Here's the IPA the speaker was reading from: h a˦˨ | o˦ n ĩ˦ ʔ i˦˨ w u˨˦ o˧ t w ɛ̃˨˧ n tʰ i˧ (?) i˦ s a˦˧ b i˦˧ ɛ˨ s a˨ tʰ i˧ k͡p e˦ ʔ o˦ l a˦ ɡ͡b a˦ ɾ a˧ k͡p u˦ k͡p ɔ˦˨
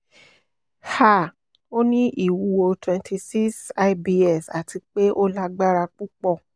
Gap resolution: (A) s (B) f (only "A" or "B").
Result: A